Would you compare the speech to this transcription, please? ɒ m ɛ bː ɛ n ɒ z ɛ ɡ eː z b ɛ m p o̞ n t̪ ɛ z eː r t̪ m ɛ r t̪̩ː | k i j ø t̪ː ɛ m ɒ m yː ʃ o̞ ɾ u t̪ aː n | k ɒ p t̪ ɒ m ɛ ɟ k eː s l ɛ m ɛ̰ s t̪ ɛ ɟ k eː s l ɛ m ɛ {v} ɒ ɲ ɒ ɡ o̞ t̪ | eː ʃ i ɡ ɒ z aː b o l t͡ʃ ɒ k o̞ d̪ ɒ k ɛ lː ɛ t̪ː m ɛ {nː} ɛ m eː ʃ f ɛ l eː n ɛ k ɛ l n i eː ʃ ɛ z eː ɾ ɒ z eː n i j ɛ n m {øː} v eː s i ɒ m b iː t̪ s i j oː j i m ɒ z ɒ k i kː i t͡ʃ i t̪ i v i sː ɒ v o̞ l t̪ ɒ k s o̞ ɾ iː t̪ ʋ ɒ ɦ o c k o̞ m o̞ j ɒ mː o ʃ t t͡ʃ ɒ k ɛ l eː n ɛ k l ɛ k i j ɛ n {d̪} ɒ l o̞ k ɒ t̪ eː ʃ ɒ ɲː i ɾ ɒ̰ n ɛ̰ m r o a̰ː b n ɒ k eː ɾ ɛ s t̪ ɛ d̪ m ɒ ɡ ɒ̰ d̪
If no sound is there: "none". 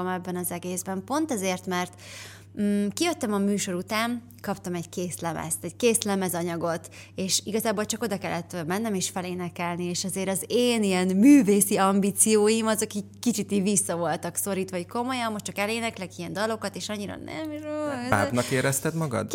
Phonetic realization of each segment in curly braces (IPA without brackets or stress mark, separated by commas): z, nː, yː, d̪